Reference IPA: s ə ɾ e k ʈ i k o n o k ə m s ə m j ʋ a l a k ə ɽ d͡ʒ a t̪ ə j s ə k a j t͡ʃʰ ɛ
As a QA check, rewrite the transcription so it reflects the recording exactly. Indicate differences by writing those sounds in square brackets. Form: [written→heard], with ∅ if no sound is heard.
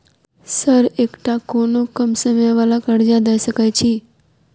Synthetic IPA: s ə ɾ e k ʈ [i→a] k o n o k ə m s ə m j ʋ a l a k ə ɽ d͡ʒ a [t̪→d̪] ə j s ə k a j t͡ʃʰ [ɛ→i]